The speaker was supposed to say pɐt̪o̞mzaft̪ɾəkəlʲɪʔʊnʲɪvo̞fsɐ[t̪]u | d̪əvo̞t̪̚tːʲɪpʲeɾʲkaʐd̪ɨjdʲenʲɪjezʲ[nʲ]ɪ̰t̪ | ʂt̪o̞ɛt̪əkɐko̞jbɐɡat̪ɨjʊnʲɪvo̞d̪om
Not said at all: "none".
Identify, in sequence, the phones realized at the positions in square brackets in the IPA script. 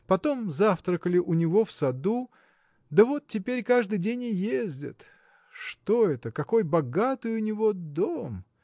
d̪, dʲ

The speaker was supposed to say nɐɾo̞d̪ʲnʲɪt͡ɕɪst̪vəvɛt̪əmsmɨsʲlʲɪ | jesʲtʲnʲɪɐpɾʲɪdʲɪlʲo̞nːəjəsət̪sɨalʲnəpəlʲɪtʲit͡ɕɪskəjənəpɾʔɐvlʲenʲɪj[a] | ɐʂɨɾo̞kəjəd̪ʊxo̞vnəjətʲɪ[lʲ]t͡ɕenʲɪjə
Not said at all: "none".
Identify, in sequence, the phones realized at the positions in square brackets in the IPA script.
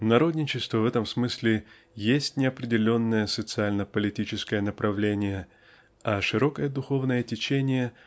ə, none

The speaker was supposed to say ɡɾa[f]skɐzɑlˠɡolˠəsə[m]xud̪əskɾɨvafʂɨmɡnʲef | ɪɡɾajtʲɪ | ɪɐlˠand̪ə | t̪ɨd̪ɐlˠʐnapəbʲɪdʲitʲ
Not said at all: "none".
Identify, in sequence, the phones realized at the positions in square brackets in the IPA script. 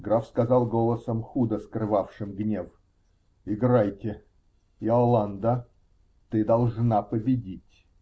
f, m

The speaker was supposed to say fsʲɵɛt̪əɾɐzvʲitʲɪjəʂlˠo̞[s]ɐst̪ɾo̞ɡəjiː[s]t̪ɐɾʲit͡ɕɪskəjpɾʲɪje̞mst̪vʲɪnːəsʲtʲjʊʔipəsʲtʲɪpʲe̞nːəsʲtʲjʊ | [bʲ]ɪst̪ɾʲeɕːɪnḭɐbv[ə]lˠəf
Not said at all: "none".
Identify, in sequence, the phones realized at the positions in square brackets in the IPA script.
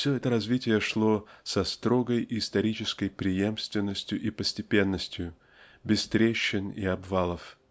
s, s, bʲ, a

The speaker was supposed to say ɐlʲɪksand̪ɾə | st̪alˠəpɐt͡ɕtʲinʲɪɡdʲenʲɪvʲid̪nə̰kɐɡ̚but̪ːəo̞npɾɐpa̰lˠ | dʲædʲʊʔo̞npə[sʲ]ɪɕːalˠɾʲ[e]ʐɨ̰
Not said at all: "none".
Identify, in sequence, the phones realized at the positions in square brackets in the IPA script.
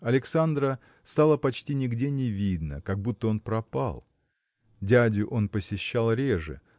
sʲ, e

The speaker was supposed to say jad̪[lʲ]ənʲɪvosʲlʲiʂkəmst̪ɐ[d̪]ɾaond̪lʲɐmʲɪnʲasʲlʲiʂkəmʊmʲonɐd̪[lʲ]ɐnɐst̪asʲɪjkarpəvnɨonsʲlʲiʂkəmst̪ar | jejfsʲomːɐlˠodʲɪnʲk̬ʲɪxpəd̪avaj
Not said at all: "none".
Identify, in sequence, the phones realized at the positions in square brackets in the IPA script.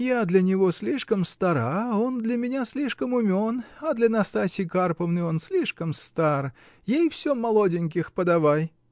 lʲ, none, lʲ

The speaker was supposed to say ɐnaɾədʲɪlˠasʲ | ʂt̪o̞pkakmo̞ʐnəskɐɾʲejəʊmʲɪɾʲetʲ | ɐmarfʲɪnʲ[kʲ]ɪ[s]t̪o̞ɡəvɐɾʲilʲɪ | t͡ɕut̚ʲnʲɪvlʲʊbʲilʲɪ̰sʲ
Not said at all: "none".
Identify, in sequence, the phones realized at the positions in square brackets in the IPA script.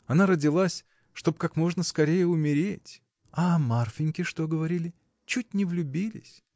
kʲ, ʂ

